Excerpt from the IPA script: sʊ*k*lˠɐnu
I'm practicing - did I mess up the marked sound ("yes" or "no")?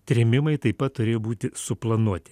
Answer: yes